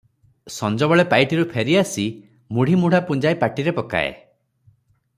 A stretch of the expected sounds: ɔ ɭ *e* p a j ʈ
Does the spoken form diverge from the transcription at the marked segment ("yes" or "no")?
no